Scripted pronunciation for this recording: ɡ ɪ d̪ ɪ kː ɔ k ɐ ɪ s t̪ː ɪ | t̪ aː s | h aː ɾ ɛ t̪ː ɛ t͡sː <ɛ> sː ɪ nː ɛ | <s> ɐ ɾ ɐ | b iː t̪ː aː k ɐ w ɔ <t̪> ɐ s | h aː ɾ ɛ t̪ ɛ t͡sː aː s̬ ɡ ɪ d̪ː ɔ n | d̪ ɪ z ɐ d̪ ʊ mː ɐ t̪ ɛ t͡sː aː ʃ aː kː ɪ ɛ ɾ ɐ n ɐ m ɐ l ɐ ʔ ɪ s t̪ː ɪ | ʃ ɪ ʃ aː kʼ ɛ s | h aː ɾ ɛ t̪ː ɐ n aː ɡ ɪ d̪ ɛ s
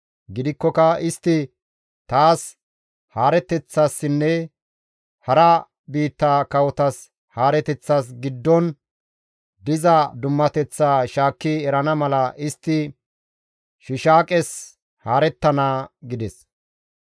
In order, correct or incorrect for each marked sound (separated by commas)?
incorrect, incorrect, correct